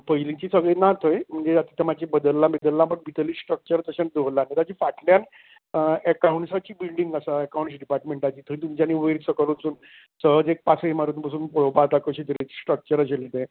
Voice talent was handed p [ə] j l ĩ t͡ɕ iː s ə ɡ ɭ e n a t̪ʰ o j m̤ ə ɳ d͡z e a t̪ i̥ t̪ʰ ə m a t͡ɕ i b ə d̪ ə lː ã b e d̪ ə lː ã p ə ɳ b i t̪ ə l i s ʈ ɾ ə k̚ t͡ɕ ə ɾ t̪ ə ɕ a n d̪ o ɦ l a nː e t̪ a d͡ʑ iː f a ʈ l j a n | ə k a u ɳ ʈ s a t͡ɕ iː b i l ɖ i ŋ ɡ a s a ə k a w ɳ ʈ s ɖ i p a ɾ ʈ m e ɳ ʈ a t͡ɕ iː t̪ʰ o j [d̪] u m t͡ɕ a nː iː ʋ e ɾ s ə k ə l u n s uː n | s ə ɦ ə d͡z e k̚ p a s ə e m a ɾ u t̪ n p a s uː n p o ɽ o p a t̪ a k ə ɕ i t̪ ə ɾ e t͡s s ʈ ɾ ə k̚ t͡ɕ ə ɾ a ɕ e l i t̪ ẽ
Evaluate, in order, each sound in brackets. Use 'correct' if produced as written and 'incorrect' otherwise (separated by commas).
correct, incorrect